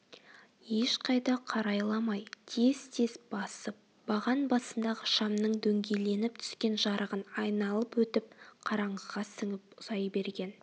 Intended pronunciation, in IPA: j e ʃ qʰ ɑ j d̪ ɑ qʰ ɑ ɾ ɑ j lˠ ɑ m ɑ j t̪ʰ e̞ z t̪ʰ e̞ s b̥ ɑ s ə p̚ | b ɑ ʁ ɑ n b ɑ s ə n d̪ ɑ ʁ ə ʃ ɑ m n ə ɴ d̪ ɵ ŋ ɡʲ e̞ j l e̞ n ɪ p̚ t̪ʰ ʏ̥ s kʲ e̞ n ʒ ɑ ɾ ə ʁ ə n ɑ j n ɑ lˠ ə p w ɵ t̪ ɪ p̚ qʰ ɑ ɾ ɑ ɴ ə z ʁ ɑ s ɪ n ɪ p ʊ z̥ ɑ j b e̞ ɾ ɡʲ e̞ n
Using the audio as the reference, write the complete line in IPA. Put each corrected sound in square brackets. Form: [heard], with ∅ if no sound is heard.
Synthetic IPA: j e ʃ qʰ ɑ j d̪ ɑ qʰ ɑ ɾ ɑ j lˠ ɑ m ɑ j t̪ʰ e̞ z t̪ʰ e̞ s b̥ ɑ s ə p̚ | b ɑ ʁ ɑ n b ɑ s ə n d̪ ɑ ʁ ə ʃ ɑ m n ə ɴ d̪ ɵ ŋ ɡʲ e̞ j l e̞ n ɪ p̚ t̪ʰ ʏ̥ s kʲ e̞ n ʒ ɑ ɾ ə ʁ ə n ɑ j n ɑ lˠ ə p w ɵ t̪ ɪ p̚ qʰ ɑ ɾ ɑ ɴ ə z ʁ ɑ s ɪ [ŋ] ɪ p ʊ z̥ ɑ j b e̞ ɾ ɡʲ e̞ n

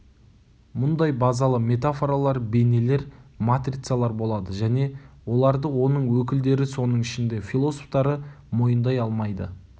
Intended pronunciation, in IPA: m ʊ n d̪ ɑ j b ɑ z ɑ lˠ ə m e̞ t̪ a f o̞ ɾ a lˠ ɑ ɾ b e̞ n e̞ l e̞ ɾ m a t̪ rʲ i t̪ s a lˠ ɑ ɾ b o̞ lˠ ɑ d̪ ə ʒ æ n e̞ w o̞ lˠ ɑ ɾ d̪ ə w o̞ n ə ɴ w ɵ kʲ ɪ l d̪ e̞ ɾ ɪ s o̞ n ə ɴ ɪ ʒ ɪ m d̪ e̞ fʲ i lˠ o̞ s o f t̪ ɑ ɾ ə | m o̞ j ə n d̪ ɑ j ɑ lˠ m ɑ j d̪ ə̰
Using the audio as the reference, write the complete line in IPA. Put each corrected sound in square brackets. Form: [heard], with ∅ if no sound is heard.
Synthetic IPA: m ʊ n d̪ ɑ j b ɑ z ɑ lˠ ə m e̞ t̪ a f o̞ ɾ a lˠ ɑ ɾ b e̞ n e̞ l e̞ ɾ m a t̪ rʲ i t̪ s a lˠ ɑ ɾ b o̞ lˠ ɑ d̪ ə ʒ æ n e̞ w o̞ lˠ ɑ ɾ d̪ ə w o̞ n ə ɴ w ɵ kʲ ɪ l d̪ e̞ ɾ ɪ s o̞ n ə ɴ ɪ [ʃ] ɪ [n] d̪ e̞ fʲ i lˠ o̞ s o f t̪ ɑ ɾ ə | m o̞ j ə n d̪ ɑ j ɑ lˠ m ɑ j d̪ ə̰

